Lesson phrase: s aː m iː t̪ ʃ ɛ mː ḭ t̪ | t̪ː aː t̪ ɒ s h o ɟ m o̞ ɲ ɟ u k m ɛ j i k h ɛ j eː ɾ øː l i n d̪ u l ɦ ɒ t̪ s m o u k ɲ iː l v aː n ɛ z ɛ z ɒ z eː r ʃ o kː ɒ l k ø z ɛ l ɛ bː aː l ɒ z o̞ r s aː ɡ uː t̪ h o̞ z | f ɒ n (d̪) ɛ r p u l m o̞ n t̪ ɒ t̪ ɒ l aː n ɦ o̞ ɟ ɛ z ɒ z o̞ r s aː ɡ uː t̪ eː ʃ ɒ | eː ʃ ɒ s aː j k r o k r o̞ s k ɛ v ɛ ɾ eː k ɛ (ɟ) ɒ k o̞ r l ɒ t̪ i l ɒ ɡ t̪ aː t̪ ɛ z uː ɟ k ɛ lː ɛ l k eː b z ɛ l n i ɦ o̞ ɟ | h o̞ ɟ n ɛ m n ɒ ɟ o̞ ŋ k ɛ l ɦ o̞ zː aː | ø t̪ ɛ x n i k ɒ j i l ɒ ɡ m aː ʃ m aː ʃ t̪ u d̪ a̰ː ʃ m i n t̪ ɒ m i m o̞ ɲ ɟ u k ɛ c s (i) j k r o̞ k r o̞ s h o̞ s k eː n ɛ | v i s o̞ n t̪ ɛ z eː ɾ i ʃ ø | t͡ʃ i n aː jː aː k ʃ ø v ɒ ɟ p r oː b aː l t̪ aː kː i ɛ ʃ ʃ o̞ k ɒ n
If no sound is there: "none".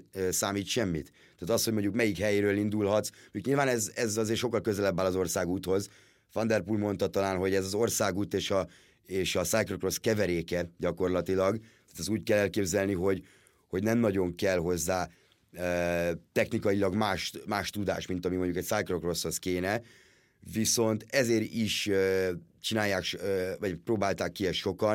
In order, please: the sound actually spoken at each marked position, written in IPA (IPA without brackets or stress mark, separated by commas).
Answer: d̪, ɟ, a